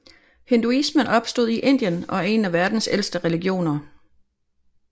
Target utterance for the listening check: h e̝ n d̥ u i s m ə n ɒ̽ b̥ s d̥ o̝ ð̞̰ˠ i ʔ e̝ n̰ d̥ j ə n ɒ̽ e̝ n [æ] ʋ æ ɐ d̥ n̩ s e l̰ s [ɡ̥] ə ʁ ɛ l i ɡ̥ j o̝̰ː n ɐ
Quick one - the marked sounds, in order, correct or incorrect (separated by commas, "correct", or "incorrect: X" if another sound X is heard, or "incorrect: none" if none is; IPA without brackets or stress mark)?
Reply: correct, incorrect: d̥